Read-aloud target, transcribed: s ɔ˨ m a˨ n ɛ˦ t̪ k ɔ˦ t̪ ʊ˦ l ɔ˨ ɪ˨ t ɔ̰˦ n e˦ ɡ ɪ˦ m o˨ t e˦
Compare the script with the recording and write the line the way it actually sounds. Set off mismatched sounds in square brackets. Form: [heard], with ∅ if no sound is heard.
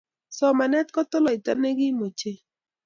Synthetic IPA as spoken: s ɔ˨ m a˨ n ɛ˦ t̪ k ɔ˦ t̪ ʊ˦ l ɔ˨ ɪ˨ t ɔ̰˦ n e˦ ɡ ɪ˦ m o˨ [t͡ʃ] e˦

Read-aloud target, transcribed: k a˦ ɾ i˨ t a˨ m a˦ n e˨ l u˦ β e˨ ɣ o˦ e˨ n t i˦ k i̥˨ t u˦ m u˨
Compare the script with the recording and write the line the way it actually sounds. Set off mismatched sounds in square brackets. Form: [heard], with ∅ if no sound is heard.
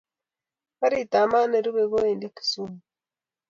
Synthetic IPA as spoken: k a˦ ɾ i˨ t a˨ m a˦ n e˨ [ɾ] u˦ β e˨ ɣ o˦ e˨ n [d] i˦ k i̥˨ [s] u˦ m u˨

